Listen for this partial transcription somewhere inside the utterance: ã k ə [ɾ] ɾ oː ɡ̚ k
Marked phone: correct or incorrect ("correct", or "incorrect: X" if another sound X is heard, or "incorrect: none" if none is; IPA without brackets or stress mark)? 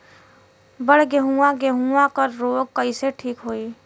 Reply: correct